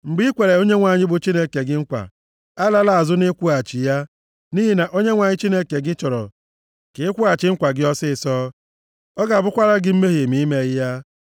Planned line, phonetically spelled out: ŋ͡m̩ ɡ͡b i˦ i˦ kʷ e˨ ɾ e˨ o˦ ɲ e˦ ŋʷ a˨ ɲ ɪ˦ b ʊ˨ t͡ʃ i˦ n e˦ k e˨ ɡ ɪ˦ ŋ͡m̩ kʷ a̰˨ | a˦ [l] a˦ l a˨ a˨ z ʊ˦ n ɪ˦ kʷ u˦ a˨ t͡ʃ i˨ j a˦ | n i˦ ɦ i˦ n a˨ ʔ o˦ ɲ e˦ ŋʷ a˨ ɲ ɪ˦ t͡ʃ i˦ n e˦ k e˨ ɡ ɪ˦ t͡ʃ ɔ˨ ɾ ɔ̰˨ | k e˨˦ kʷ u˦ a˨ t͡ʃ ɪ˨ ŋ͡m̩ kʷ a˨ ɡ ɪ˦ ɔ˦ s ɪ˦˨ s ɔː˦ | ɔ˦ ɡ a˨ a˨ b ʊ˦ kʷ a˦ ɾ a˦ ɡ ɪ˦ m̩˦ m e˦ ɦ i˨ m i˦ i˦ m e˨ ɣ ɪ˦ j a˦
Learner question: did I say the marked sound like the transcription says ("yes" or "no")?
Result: yes